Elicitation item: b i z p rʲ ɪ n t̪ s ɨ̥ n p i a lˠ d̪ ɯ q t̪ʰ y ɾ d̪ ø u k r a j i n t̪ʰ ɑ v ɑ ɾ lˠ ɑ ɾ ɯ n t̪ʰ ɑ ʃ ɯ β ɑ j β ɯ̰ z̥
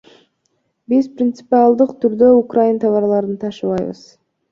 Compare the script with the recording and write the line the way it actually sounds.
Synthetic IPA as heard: b i z p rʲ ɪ n t̪ s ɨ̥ p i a lˠ d̪ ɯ q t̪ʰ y ɾ d̪ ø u k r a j i n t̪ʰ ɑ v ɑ ɾ lˠ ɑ ɾ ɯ n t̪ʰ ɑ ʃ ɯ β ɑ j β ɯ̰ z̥